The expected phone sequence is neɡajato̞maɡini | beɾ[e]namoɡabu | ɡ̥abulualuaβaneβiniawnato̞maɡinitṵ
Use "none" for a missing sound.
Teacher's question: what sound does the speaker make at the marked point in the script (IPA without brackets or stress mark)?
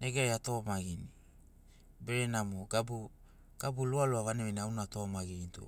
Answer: e